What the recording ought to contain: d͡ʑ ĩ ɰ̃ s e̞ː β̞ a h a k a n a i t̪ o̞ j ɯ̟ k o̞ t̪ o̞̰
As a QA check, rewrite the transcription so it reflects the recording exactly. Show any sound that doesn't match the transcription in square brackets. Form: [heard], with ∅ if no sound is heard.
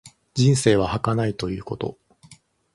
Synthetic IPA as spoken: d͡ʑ ĩ ɰ̃ s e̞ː β̞ a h a k a n a i t̪ o̞ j [ɯ̟ː] k o̞ t̪ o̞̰